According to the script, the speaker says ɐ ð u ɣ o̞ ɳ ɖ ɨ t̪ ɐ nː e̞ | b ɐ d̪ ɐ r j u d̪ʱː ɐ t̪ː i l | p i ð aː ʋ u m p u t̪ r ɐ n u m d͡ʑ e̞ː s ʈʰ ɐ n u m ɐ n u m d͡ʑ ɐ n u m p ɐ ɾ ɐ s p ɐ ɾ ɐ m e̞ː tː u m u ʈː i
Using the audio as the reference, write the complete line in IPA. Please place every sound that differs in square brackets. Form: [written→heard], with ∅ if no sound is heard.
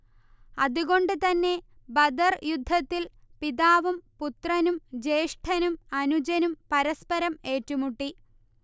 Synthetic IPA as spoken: ɐ ð u ɣ o̞ ɳ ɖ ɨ t̪ ɐ nː e̞ | b ɐ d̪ ɐ r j u d̪ʱː ɐ t̪ː i l | p i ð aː ʋ u m p u t̪ r ɐ n u m d͡ʑ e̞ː [s→ʂ] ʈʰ ɐ n u m ɐ n u [m→∅] d͡ʑ ɐ n u m p ɐ ɾ ɐ s p ɐ ɾ ɐ m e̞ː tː u m u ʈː i